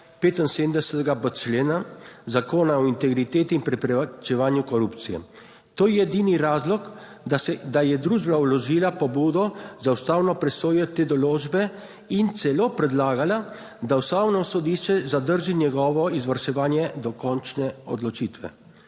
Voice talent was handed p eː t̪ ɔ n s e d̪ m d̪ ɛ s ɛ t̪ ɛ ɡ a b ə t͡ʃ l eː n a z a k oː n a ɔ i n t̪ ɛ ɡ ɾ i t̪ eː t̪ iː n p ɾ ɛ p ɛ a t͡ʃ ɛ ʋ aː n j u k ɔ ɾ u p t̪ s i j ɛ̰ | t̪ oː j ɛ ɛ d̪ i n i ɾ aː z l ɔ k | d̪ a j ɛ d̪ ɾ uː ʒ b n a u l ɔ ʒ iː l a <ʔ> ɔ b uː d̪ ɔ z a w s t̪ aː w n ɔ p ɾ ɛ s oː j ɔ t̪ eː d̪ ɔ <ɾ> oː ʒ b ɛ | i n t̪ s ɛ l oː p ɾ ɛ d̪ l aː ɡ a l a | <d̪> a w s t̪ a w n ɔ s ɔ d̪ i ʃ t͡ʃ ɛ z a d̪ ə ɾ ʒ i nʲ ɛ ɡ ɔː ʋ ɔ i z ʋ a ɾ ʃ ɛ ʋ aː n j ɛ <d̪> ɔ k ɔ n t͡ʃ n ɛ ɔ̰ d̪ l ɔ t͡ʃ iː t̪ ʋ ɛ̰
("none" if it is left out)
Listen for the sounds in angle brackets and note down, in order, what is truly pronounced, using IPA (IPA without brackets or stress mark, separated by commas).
p, l, d̪, d̪